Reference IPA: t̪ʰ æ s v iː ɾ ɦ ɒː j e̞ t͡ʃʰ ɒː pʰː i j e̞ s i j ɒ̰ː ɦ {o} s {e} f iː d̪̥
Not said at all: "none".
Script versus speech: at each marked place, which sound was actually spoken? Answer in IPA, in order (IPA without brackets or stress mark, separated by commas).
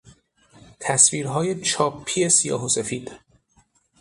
o, e